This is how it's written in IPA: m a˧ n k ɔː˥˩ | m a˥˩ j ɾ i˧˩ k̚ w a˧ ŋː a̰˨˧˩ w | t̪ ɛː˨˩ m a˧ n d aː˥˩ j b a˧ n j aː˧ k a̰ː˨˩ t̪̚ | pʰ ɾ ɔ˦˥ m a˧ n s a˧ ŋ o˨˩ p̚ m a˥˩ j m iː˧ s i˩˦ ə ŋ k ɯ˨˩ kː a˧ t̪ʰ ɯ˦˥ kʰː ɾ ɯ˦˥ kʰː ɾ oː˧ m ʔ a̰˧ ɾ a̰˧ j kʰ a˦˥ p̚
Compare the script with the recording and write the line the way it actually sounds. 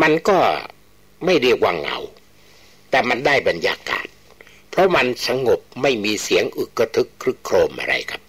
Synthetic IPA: m a˧ n k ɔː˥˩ | m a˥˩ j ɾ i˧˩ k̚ w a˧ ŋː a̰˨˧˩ w | t̪ ɛː˨˩ m a˧ n d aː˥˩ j b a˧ n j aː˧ k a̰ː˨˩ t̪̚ | pʰ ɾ ɔ˦˥ m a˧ n s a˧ ŋ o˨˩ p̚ m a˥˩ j m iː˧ s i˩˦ ə ŋ ʔ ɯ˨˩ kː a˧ t̪ʰ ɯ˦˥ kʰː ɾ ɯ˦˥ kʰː ɾ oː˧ m ʔ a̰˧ ɾ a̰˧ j kʰ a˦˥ p̚